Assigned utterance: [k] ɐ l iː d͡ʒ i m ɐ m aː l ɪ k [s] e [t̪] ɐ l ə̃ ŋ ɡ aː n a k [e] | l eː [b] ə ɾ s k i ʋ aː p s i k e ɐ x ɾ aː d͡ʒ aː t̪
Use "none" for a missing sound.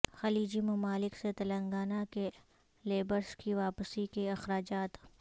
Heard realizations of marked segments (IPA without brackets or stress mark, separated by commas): x, s, t̪, e, b